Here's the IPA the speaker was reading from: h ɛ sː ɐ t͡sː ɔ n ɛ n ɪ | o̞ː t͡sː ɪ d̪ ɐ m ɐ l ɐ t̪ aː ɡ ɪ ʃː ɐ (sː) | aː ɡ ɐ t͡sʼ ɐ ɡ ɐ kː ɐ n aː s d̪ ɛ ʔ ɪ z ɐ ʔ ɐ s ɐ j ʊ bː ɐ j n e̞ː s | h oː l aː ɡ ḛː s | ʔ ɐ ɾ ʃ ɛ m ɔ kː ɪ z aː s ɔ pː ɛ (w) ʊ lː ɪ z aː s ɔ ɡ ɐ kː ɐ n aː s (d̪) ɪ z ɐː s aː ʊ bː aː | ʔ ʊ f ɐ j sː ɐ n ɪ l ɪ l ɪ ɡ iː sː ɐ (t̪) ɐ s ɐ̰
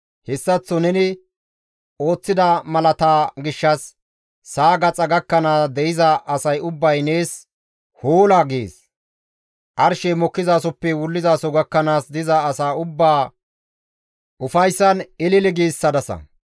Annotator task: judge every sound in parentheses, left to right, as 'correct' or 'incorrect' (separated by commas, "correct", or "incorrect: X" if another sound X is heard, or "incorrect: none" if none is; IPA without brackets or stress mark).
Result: correct, correct, correct, incorrect: d̪